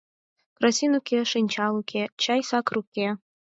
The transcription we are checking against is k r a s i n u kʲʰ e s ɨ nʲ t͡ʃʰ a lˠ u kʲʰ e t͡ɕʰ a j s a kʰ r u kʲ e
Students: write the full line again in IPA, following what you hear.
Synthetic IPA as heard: k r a s i n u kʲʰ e ʂ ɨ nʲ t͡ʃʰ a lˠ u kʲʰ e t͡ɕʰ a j s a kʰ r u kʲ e